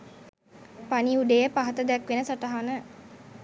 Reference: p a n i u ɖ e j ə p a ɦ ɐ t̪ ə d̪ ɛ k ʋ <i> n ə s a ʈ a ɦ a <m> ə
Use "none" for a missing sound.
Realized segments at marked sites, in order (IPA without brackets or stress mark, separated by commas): e, n